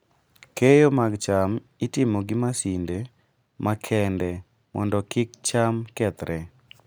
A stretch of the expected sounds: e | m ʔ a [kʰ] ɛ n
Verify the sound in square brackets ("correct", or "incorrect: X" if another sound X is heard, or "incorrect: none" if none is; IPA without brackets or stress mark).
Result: correct